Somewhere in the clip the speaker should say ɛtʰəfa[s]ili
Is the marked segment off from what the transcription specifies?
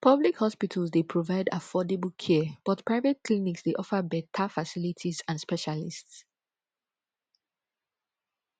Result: no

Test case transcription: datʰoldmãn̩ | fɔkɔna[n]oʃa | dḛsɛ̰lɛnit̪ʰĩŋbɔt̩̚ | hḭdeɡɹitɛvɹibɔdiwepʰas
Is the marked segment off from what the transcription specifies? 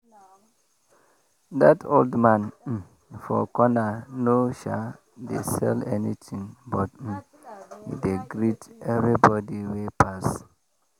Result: no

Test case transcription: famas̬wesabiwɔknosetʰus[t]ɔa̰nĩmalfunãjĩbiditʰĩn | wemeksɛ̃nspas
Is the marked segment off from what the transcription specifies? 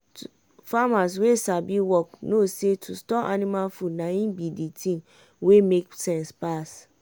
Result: no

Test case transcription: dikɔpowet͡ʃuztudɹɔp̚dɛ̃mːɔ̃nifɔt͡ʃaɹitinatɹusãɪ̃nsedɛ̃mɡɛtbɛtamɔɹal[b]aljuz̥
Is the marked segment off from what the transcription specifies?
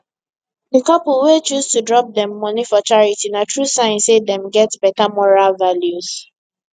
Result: yes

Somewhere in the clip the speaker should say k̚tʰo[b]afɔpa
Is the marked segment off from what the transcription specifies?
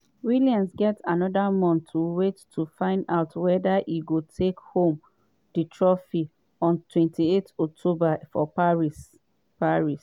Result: no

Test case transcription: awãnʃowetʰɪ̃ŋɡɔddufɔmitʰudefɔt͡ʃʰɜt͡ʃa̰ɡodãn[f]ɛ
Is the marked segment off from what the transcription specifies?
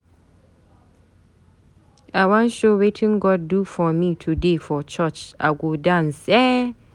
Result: yes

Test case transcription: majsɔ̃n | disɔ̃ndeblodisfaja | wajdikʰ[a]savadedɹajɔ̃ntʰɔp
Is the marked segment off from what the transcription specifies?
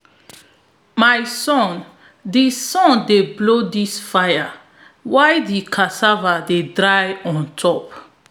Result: no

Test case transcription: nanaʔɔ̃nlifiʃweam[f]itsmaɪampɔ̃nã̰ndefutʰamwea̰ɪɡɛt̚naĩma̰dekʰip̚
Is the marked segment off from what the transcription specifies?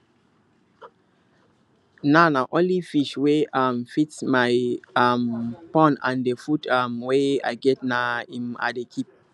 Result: no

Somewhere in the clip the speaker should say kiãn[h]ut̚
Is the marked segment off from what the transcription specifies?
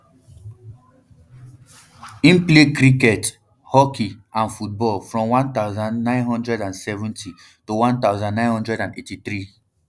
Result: yes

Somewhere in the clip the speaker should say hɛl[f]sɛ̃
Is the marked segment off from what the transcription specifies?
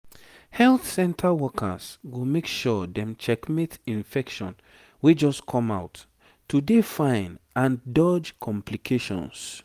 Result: yes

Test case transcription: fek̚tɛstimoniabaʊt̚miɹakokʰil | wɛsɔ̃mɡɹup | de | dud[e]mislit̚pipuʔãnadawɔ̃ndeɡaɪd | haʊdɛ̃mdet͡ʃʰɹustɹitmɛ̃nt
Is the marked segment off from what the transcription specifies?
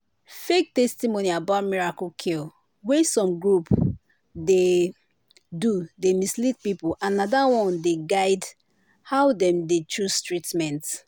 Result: no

